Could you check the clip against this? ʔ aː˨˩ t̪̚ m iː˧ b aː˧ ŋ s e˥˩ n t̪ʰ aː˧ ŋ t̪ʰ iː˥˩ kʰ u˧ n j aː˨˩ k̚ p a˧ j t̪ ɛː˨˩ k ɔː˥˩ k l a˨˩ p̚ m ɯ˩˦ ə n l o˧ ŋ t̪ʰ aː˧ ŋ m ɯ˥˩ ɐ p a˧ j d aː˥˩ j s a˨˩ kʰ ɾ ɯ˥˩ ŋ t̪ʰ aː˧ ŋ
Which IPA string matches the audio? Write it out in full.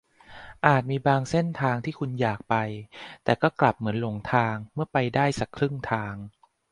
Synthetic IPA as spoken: ʔ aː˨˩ t̪̚ m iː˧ b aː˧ ŋ s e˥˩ n t̪ʰ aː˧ ŋ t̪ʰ iː˥˩ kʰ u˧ n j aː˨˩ k̚ p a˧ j t̪ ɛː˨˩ k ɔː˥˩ k l a˨˩ p̚ m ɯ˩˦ ə n l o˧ ŋ t̪ʰ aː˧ ŋ m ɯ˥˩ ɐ p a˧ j d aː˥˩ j s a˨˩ kʰ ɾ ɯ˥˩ ŋ t̪ʰ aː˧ ŋ